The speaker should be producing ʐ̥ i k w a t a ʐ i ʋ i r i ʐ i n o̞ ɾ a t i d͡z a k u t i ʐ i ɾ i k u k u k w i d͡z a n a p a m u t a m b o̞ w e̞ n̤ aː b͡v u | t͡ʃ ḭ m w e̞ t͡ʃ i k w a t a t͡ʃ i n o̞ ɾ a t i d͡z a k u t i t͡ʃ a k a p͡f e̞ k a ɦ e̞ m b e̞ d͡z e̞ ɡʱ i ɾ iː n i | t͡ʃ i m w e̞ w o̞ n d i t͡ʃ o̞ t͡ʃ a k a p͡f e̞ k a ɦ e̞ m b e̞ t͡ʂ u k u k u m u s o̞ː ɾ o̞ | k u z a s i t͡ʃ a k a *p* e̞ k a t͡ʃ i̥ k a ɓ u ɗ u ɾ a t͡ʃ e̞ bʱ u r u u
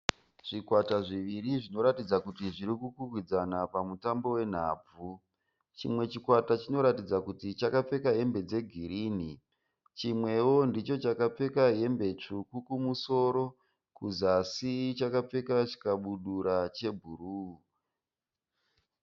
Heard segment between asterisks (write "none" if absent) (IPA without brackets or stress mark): p͡f